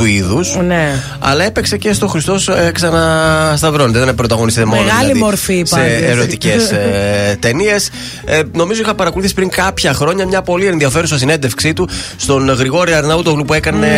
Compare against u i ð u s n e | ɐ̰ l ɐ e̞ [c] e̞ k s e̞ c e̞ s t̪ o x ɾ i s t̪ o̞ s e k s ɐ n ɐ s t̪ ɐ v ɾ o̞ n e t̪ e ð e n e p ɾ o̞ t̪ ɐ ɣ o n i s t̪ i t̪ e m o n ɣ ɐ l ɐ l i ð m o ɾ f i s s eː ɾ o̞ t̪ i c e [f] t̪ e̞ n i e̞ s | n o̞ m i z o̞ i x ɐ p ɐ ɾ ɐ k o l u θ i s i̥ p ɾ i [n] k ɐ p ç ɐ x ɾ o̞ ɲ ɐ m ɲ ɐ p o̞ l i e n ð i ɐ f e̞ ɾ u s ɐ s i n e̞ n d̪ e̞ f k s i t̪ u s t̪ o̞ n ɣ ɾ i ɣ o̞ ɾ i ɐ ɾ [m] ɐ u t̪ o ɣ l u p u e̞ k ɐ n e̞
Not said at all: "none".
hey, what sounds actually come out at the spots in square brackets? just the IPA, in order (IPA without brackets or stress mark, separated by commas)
p, s, ŋ, n